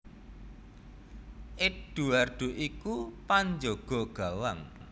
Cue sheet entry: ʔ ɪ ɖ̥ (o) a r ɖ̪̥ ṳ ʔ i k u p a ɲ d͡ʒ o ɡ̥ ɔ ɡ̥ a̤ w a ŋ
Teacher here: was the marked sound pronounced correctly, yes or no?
no